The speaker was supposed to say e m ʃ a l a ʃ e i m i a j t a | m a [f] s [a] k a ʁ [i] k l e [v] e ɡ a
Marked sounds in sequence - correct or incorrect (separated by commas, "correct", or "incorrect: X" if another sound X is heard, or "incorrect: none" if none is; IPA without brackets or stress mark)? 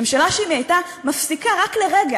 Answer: correct, incorrect: i, incorrect: a, incorrect: ʁ